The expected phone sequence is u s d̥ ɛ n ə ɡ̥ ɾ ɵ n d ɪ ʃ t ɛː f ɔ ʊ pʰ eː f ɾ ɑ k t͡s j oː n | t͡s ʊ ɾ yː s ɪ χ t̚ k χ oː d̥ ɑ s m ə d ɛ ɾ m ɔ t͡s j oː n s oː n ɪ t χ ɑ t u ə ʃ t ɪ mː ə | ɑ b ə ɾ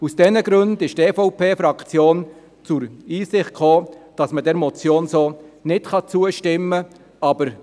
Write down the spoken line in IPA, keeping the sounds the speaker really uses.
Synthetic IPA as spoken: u s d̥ ɛ n ə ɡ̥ ɾ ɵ n d ɪ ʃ t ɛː f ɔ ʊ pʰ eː f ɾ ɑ k t͡s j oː n | t͡s ʊ ɾ iː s ɪ χ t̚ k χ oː d̥ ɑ s m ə d ɛ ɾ m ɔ t͡s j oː n s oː n ɪ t χ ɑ t͡s u ə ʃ t ɪ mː ə | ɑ b ə ɾ